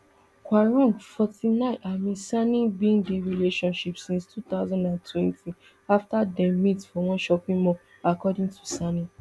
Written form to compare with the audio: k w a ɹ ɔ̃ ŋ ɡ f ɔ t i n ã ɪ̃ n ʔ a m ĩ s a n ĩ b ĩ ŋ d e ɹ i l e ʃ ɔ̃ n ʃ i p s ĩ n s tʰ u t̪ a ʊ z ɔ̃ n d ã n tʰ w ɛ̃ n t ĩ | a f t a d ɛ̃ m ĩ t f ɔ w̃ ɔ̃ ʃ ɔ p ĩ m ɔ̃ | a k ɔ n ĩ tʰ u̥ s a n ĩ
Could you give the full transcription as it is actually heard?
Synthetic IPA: k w a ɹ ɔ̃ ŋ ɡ f ɔ t i n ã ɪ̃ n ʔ a m ĩ s a n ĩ b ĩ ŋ d e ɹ i l e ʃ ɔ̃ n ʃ i p s ĩ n s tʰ u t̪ a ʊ z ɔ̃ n d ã n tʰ w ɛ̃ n t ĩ | a f t a d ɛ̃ m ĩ t f ɔ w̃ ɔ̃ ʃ ɔ p ĩ m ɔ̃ | a k ɔ d ĩ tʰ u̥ s a n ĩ